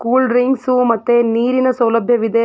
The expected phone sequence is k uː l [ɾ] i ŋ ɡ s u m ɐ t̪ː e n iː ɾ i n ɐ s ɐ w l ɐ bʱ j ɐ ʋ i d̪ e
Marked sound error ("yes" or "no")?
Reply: no